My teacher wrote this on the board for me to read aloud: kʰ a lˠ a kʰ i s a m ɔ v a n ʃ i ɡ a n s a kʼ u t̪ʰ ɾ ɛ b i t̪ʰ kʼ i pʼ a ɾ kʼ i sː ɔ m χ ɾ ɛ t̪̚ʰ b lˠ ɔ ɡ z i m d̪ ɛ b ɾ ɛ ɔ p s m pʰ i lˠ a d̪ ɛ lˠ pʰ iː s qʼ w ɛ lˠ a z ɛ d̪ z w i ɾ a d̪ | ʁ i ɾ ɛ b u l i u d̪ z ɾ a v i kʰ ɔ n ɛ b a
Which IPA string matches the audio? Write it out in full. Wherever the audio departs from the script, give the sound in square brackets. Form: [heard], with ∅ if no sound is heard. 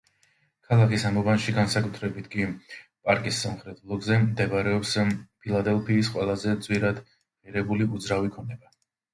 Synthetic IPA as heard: kʰ a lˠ a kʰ i s a m ɔ v a n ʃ i ɡ a n s a kʼ u t̪ʰ ɾ ɛ b i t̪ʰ kʼ i pʼ a ɾ kʼ i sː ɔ m χ ɾ ɛ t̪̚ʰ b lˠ ɔ ɡ z [ɛ] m d̪ ɛ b ɾ ɛ ɔ p s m pʰ i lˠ a d̪ ɛ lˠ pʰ iː s qʼ w ɛ lˠ a z ɛ d̪ z w i ɾ a d̪ | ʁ i ɾ ɛ b u l i u d̪ z ɾ a v i kʰ ɔ n ɛ b a